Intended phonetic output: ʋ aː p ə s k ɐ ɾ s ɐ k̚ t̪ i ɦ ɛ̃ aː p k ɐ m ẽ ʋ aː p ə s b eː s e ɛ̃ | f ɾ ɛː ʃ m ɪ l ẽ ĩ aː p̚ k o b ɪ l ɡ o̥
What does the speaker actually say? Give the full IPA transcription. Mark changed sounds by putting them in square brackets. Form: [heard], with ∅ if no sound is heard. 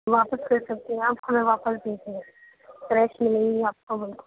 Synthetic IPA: ʋ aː p ə s k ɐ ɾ s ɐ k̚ t̪ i ɦ ɛ̃ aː p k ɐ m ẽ ʋ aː p ə s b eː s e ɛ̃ | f ɾ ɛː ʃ m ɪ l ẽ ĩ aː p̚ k o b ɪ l [k] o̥